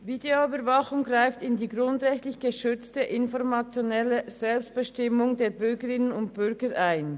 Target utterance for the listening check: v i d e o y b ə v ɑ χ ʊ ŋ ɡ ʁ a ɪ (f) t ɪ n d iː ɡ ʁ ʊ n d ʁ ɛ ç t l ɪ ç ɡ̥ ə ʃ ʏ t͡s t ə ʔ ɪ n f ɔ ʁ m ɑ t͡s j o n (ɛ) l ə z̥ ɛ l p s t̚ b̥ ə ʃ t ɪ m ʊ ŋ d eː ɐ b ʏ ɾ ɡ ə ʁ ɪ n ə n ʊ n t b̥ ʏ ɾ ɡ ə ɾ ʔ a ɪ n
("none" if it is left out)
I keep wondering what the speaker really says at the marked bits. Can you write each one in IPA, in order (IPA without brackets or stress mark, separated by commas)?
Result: f, ɛ